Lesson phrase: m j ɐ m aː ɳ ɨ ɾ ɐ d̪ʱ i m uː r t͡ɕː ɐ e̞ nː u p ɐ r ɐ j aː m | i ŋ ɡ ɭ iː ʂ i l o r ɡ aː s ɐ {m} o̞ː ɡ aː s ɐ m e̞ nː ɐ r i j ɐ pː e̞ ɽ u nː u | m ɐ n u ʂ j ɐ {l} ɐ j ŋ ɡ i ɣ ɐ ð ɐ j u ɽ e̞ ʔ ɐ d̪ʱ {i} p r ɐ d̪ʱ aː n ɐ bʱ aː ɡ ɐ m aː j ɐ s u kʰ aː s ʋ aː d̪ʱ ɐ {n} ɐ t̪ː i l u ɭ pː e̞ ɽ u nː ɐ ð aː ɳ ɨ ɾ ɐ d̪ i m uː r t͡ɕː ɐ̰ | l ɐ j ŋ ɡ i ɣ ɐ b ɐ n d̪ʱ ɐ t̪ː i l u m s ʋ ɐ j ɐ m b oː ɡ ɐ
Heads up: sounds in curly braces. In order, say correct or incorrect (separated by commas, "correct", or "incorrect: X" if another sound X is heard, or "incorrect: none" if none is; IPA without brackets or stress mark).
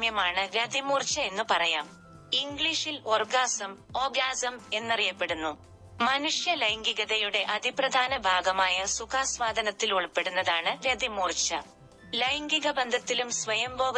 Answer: correct, correct, correct, correct